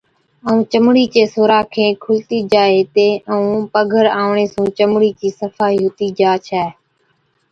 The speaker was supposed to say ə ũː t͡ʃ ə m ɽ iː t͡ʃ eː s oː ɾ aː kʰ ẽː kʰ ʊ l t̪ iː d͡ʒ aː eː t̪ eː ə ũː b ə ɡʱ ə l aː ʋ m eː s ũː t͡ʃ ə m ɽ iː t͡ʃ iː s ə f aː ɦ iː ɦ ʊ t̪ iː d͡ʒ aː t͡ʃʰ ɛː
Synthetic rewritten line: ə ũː t͡ʃ ə m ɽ iː t͡ʃ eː s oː ɾ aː kʰ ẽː kʰ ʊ l t̪ iː d͡ʒ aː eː t̪ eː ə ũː p ə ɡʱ ə ɾ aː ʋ ɳ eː s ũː t͡ʃ ə m ɽ iː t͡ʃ iː s ə f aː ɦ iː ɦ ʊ t̪ iː d͡ʒ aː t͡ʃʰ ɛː

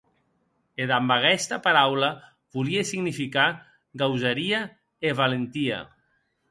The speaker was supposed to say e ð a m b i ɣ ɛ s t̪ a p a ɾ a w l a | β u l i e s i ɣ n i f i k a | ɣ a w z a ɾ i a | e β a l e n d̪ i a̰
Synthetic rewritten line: e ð a m b a ɣ ɛ s t̪ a p a ɾ a w l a | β u l i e s i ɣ n i f i k a | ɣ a w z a ɾ i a | e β a l e n t̪ i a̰

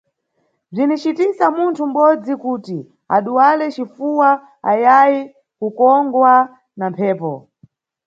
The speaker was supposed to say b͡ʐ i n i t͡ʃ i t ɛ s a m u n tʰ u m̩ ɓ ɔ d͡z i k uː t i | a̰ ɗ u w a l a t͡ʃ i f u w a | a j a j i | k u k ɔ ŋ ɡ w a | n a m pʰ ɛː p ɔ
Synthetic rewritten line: b͡ʐ i n i t͡ʃ i t i s a m u n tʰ u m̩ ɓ ɔ d͡z i k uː t i | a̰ ɗ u w a l ɛ t͡ʃ i f u w a | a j a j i | k u k ɔ ŋ ɡ w a | n a m pʰ ɛː p ɔ

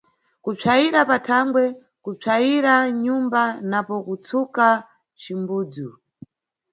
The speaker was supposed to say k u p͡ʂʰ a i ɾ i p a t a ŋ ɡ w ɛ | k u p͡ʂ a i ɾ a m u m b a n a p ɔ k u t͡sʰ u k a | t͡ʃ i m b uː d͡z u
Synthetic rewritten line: k u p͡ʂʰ a i ɾ a p a tʰ a ŋ ɡ w ɛ | k u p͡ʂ a i ɾ a ɲ u m b a n a p ɔ k u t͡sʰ u k a | t͡ʃ i m b uː d͡z u

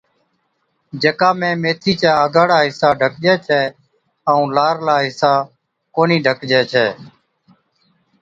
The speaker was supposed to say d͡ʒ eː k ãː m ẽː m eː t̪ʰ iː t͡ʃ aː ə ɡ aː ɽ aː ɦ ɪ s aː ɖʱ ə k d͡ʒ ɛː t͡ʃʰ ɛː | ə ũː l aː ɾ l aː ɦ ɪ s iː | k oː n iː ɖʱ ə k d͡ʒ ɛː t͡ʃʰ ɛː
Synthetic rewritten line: d͡ʒ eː k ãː m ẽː m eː t̪ʰ iː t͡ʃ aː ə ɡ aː ɽ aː ɦ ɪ s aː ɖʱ ə k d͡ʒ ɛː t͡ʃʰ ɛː | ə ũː l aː ɾ l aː ɦ ɪ s aː | k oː n iː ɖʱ ə k d͡ʒ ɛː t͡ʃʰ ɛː

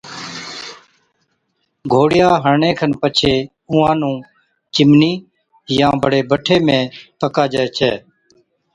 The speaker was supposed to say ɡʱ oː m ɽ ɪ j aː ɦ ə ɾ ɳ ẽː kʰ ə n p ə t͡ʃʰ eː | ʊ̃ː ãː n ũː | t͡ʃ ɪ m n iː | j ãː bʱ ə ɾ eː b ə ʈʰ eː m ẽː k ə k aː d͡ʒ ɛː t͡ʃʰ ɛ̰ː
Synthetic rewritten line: ɡʱ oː ɽ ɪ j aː ɦ ə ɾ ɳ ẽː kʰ ə n p ə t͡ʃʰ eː | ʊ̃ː ãː n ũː | t͡ʃ ɪ m n iː | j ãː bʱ ə ɽ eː b ə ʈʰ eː m ẽː p ə k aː d͡ʒ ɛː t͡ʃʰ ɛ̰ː

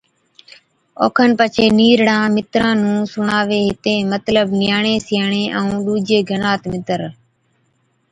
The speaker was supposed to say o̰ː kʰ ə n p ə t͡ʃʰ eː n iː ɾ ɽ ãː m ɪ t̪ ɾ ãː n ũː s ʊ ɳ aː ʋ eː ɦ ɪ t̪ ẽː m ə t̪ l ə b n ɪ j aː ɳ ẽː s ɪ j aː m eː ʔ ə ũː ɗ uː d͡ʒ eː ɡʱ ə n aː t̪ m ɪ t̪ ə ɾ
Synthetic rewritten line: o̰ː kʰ ə n p ə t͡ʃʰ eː n iː ɾ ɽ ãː m ɪ t̪ ɾ ãː n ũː s ʊ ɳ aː ʋ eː ɦ ɪ t̪ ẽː m ə t̪ l ə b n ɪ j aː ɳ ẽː s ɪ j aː ɳ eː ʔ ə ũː ɗ uː d͡ʒ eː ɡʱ ə n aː t̪ m ɪ t̪ ə ɾ

